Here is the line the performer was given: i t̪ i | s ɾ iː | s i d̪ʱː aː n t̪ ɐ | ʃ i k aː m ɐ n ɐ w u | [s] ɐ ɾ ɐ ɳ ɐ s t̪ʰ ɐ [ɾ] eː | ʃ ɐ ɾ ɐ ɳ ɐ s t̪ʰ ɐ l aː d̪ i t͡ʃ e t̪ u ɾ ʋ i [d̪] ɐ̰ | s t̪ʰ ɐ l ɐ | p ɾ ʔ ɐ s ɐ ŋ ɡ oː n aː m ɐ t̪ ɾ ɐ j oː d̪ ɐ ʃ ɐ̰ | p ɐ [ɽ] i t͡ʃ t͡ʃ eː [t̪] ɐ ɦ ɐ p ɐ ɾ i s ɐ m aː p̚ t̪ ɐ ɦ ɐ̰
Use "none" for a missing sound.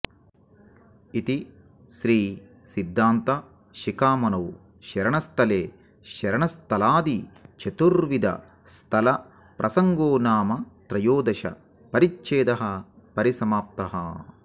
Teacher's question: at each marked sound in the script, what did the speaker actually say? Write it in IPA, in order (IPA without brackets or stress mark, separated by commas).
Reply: ʃ, l, d̪, ɾ, d̪